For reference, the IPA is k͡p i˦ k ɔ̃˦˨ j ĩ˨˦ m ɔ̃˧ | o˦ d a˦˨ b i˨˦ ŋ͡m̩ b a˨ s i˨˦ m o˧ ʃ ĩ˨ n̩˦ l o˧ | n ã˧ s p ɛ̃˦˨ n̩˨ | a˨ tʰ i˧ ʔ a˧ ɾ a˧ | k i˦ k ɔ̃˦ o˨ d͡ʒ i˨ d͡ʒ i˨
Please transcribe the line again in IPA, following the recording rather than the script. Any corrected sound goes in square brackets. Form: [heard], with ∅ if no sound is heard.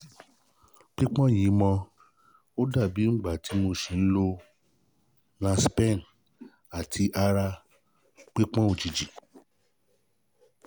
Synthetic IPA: k͡p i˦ [k͡p] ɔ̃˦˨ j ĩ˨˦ m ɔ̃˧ | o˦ d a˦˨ b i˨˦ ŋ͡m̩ [ɡ͡b] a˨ [t] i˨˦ m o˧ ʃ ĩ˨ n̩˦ l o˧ | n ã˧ s p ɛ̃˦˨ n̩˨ | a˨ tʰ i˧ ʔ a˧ ɾ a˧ | [k͡p] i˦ [k͡p] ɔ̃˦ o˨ d͡ʒ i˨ d͡ʒ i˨